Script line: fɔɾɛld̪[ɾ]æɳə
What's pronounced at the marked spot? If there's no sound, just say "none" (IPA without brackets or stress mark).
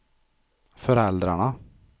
ɾ